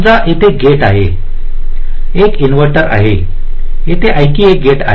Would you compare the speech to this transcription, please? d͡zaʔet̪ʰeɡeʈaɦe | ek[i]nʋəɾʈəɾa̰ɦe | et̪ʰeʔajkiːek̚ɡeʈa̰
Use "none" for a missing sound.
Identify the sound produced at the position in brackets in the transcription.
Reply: i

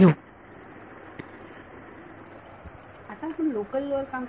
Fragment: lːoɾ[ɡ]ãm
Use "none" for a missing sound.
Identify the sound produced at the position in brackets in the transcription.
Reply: k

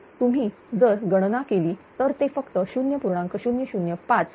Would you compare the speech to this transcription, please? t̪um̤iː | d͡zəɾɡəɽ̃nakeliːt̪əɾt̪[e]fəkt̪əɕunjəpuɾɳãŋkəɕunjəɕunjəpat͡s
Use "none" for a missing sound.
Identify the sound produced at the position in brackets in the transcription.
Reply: e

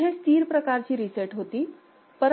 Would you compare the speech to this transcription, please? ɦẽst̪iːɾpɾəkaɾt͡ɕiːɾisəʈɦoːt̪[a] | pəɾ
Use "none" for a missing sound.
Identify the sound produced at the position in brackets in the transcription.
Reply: i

